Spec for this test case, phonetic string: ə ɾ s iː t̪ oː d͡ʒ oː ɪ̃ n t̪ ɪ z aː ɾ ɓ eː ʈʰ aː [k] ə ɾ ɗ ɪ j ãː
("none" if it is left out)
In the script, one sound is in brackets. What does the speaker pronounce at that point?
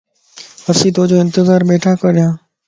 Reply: k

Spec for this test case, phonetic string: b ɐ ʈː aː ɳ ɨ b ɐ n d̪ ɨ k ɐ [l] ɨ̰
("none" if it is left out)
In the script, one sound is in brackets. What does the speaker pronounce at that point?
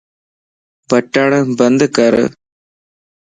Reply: ɾ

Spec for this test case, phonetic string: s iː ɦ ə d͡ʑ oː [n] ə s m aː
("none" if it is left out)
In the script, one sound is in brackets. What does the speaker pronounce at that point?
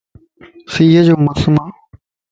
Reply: m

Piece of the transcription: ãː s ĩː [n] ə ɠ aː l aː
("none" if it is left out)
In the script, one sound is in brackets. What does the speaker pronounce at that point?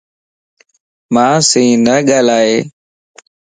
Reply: n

